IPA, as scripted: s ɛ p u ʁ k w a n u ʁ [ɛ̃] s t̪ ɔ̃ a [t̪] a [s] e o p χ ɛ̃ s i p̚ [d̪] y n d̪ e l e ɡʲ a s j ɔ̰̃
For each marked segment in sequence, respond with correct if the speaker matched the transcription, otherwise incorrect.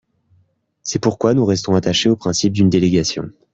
incorrect: ɛ, correct, incorrect: ʃ, correct

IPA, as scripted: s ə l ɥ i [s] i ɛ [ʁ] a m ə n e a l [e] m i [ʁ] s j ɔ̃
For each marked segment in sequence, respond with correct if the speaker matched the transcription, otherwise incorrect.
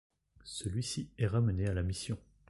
correct, correct, incorrect: a, incorrect: none

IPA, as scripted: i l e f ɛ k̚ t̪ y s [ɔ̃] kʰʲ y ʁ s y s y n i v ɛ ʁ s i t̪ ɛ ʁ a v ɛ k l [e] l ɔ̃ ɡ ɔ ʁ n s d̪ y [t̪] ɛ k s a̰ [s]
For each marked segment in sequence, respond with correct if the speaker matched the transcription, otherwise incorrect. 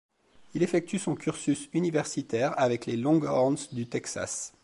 correct, correct, correct, correct

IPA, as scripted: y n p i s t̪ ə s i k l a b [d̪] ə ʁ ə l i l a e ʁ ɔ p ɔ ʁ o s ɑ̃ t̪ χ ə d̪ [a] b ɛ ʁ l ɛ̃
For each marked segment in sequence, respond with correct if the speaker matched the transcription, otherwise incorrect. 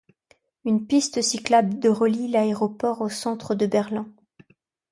correct, incorrect: ə

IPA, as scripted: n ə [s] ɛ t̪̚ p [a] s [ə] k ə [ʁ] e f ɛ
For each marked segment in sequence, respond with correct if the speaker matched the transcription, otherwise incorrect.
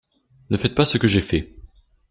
incorrect: f, correct, correct, incorrect: ʒ

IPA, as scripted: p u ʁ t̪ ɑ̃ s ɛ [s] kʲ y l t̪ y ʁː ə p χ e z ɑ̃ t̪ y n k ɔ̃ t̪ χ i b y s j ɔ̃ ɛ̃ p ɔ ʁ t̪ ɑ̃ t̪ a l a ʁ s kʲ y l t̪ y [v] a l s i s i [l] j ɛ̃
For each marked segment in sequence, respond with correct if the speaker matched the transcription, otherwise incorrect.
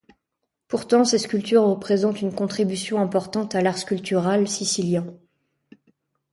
correct, incorrect: ʁ, correct

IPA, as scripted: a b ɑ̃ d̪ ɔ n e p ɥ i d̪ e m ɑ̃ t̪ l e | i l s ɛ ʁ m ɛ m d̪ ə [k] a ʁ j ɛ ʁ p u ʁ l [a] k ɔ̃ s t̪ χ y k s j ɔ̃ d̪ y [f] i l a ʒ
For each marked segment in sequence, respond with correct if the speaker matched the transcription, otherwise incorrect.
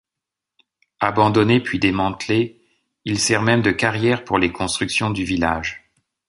correct, incorrect: e, incorrect: v

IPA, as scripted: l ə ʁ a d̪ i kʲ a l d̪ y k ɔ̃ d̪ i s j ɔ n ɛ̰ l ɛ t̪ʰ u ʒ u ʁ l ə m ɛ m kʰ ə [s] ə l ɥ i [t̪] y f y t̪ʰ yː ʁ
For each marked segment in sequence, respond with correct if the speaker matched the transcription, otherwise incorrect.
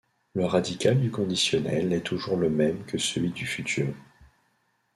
correct, incorrect: d̪

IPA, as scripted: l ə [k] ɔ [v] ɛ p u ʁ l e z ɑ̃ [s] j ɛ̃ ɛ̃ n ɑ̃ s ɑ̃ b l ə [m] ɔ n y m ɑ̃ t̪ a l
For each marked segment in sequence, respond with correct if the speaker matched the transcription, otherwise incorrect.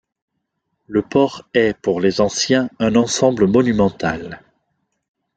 incorrect: p, incorrect: ʁ, correct, correct

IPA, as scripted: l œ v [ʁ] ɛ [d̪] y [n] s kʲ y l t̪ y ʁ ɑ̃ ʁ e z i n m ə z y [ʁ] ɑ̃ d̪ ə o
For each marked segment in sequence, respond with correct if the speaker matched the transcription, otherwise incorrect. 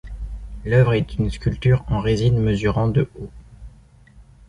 correct, incorrect: t̪, correct, correct

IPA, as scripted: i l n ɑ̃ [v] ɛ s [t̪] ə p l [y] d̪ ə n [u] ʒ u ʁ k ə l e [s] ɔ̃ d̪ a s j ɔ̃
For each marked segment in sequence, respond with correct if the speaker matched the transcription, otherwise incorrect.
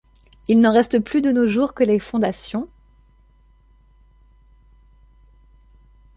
incorrect: ʁ, correct, correct, incorrect: o, incorrect: f

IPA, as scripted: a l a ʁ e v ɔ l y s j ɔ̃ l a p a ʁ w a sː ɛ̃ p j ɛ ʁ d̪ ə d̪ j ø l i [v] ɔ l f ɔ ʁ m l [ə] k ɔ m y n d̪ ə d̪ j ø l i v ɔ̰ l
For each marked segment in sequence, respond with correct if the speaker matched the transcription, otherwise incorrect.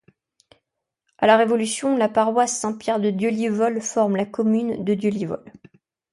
correct, incorrect: a

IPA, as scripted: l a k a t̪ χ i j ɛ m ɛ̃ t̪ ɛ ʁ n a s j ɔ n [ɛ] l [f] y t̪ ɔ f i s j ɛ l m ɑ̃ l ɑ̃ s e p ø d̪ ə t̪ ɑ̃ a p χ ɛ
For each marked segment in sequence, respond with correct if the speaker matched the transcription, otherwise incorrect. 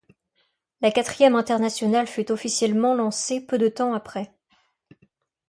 incorrect: a, correct

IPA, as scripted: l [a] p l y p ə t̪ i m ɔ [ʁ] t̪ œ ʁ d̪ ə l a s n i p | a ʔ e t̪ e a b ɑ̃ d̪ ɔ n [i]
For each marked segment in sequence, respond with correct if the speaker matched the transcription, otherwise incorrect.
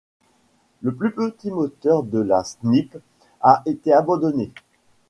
incorrect: ə, incorrect: none, incorrect: e

